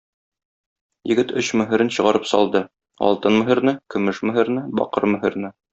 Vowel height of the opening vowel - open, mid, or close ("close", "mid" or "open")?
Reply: mid